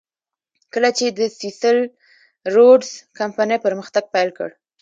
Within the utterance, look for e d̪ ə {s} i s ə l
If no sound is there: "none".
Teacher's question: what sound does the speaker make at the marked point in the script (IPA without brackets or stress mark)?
s